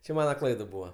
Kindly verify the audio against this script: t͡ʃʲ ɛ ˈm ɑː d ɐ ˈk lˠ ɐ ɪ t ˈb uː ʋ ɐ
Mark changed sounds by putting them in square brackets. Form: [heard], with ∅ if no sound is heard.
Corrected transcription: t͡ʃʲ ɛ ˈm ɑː [n] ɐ ˈk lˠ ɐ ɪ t ˈb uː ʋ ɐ